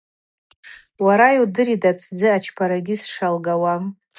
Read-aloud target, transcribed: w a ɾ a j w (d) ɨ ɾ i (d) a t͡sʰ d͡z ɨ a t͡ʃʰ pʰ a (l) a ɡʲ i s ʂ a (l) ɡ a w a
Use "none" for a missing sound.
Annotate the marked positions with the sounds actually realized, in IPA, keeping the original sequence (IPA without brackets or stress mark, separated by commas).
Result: d, d, ɾ, l